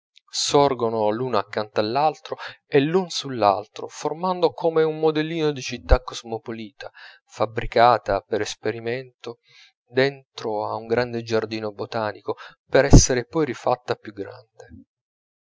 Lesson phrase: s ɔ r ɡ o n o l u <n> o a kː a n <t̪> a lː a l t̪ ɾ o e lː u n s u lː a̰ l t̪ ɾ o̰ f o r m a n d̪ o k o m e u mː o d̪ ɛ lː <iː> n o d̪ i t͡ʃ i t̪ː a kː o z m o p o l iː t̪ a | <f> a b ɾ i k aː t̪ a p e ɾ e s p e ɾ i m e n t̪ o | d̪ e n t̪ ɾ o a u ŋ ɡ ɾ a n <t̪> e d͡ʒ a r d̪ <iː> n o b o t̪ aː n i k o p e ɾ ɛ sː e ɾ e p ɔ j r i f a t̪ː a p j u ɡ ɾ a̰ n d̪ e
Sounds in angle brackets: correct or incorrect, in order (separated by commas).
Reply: correct, correct, correct, correct, incorrect, correct